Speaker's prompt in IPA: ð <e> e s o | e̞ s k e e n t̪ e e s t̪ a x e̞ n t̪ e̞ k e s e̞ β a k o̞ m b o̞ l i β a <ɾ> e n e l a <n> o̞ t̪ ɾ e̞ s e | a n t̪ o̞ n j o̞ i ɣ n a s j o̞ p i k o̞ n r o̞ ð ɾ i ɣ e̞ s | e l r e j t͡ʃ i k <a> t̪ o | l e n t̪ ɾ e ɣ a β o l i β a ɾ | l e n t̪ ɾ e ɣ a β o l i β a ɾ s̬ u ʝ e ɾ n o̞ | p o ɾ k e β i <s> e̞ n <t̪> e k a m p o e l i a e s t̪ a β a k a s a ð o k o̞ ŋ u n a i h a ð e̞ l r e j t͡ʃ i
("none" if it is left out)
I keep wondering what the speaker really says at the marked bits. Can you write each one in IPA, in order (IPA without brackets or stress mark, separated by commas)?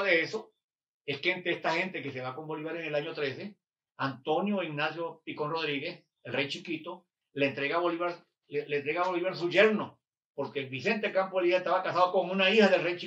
e, ɾ, ɲ, i, s, t̪